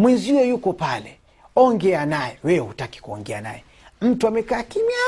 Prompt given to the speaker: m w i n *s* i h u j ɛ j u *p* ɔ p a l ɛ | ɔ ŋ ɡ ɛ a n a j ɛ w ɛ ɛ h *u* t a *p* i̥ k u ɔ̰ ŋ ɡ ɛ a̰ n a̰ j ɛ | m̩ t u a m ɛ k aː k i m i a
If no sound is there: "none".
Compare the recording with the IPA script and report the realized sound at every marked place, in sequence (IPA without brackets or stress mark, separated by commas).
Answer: z, k, u, k